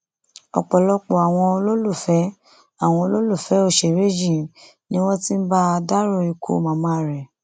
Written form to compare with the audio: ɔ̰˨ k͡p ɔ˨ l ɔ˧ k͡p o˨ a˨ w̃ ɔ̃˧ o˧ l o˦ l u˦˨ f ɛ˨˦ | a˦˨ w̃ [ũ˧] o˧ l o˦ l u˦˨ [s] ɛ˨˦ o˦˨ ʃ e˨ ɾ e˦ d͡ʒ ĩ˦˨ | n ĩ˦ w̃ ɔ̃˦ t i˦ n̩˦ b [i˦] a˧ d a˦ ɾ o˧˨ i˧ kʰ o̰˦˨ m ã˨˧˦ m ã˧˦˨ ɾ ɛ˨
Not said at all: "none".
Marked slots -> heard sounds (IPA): ɔ̃˧, f, a˦

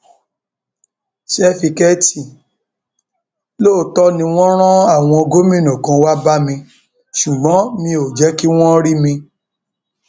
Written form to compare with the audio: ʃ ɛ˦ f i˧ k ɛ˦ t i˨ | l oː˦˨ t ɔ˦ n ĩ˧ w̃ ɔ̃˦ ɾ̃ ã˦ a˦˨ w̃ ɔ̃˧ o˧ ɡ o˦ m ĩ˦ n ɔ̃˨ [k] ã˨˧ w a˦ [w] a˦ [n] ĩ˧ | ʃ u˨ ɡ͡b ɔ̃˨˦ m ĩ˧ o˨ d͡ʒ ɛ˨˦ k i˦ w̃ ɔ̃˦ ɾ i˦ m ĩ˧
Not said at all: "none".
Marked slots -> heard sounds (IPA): k, b, m

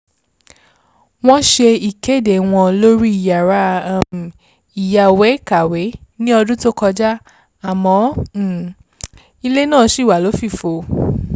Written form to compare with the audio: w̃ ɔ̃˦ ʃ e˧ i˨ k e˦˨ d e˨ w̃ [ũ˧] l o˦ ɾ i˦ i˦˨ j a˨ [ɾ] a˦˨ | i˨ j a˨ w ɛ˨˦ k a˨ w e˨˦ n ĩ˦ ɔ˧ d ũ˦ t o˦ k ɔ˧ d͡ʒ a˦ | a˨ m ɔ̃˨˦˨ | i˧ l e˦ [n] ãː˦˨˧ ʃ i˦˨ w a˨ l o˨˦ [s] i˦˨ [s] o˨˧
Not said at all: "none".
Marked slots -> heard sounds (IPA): ɔ̃˧, ɾ, n, f, f

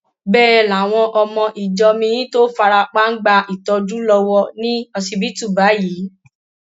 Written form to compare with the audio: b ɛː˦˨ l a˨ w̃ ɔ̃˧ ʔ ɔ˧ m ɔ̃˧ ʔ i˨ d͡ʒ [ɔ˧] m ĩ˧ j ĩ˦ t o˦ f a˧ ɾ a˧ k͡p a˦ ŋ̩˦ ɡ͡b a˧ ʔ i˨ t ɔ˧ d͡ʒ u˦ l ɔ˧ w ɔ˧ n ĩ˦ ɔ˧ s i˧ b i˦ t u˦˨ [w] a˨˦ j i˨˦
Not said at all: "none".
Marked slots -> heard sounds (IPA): ɔ˧, b

